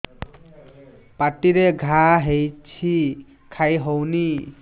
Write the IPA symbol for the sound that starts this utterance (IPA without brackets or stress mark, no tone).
p